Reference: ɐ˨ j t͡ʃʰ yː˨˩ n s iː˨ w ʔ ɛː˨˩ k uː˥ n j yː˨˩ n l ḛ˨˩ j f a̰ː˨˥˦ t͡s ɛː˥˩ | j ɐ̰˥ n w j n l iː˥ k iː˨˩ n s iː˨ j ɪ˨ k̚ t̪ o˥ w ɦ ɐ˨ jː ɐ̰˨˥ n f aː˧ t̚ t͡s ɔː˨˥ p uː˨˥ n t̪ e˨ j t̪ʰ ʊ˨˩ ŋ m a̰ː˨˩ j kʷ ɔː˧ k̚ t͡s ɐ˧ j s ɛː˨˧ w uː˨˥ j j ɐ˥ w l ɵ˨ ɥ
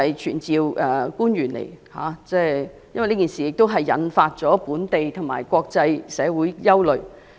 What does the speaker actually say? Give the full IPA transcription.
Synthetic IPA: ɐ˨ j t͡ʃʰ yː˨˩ n t͡s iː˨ w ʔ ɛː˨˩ k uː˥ n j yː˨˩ n l ḛ˨˩ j h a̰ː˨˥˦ t͡s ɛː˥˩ | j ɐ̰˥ n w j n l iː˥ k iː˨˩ n s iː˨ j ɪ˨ k̚ t̪ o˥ w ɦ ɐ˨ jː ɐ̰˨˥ n f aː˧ t̚ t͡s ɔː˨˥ p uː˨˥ n t̪ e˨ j t̪ʰ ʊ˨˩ ŋ m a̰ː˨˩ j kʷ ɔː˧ k̚ t͡s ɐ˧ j s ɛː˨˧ w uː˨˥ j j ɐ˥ w l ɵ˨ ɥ